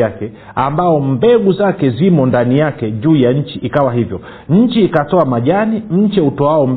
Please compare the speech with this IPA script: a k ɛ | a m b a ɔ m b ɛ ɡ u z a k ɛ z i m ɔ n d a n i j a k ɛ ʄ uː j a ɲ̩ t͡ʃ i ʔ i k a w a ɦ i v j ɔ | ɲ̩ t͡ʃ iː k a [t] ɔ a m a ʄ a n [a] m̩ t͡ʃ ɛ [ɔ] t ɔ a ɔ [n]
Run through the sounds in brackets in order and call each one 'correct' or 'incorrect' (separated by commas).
correct, incorrect, incorrect, incorrect